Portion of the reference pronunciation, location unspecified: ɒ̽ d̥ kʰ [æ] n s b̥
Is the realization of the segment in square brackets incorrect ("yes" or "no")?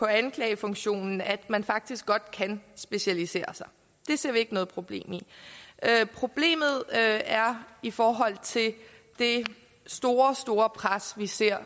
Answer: no